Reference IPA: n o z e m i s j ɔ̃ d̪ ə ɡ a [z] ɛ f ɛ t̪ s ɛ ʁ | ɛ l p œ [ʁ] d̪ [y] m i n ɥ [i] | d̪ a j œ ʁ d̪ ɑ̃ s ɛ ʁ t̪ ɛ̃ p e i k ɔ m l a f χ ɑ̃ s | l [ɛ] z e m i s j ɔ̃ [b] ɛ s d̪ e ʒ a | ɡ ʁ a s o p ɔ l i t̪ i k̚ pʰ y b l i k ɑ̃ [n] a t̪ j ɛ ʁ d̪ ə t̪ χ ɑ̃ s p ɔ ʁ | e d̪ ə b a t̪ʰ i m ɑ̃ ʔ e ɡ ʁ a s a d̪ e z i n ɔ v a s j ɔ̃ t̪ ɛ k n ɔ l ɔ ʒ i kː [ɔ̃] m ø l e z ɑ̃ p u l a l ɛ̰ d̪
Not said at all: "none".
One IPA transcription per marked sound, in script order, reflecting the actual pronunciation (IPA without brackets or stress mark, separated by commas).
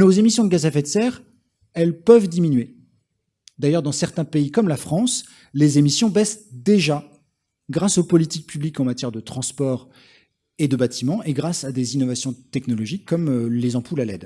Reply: z, v, i, e, e, b, m, ɔ